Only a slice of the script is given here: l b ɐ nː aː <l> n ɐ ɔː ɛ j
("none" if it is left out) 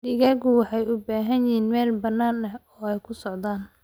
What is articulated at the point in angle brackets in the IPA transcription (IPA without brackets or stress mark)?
none